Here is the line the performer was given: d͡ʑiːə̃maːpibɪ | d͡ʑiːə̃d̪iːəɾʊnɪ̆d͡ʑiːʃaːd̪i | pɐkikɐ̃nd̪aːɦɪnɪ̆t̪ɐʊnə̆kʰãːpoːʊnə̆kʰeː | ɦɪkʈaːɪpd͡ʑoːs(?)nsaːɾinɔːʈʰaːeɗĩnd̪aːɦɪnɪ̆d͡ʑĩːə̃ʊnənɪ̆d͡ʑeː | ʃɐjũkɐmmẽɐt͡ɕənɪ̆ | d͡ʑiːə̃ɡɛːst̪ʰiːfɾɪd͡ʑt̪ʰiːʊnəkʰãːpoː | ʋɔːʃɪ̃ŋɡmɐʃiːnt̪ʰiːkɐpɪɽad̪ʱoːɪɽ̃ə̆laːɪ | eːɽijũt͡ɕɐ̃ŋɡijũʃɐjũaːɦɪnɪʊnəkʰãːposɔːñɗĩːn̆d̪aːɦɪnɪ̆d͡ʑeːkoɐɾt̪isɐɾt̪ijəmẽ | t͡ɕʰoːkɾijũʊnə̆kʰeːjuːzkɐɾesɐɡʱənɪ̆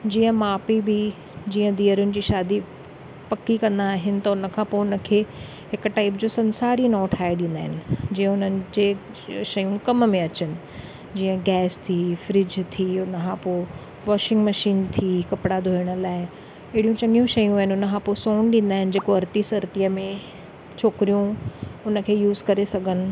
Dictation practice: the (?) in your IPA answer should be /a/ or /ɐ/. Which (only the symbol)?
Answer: ɐ